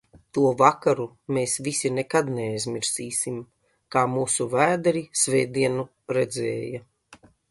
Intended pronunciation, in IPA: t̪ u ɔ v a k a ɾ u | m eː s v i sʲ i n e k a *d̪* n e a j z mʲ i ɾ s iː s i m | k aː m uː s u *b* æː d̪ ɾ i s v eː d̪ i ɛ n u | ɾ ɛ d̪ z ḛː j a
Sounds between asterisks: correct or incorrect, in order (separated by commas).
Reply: correct, incorrect